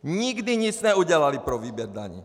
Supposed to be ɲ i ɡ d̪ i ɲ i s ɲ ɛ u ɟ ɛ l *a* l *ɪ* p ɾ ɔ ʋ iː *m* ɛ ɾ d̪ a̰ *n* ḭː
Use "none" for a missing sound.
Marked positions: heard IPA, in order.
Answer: a, i, b, ɲ

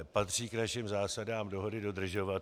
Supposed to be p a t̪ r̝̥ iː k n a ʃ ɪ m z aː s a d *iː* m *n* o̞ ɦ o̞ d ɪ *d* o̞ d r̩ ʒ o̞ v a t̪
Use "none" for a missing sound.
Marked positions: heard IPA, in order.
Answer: aː, d, d

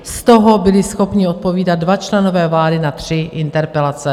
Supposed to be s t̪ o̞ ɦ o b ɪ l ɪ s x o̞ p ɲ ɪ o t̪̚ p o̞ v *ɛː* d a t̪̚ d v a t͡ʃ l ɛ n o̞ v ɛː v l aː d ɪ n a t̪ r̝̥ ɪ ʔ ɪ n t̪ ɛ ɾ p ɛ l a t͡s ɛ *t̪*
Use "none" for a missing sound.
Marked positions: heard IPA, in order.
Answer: iː, none

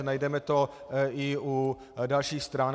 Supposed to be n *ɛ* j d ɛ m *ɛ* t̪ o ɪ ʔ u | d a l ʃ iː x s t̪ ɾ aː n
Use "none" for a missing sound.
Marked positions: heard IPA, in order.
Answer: a, ɛ

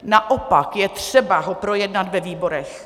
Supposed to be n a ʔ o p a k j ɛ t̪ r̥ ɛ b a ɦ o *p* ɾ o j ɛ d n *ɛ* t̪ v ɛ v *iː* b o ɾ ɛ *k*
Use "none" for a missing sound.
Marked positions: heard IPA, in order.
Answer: p, a, iː, x

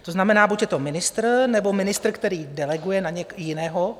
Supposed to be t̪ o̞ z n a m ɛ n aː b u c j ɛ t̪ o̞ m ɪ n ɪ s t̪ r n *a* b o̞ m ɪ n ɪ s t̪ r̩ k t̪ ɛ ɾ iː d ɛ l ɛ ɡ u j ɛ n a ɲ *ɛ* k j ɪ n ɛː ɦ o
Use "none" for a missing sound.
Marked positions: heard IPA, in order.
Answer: ɛ, ɛ

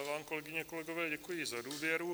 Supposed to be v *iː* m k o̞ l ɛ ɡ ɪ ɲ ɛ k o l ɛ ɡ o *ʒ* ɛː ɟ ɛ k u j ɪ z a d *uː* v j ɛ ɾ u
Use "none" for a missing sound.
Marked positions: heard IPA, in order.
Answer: aː, v, uː

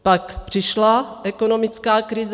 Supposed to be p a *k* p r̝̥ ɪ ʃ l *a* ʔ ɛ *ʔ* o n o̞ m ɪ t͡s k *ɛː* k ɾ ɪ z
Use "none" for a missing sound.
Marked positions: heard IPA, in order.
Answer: k, a, k, aː

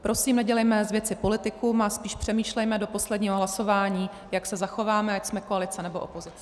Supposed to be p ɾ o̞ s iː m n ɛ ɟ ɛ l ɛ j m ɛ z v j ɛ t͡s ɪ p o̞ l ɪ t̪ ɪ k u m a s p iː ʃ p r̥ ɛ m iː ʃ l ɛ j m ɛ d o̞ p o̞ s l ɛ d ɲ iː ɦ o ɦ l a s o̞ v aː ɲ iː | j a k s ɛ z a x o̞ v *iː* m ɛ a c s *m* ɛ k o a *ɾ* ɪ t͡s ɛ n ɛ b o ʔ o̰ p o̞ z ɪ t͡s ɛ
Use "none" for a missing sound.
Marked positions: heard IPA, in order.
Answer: aː, m, l

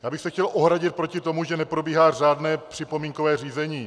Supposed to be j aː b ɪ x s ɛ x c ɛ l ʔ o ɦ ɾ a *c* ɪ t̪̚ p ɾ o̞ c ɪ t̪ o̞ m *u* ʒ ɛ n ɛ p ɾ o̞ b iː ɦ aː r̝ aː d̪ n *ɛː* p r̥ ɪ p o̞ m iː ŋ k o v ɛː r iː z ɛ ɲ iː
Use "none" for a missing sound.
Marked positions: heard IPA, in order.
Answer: ɟ, u, ɛː

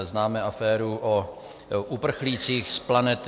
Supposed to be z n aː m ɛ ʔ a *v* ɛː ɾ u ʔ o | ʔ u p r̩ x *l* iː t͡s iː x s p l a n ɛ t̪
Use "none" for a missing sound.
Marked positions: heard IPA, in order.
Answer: f, l

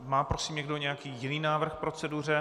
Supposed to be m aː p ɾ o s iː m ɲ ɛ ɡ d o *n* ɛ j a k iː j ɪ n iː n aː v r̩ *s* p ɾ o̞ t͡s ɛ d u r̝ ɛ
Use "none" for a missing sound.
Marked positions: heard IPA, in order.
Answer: ɲ, x

